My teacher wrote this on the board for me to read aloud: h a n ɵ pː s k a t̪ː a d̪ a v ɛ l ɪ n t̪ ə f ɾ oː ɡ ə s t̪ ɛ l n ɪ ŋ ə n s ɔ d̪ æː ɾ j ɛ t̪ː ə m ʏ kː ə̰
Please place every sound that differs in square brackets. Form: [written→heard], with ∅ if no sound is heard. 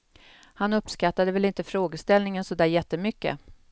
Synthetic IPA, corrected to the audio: h a n ɵ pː s k a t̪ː a d̪ [a→ə] v ɛ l ɪ n t̪ ə f ɾ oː ɡ ə s t̪ ɛ l n ɪ ŋ ə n s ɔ d̪ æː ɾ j ɛ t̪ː ə m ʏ kː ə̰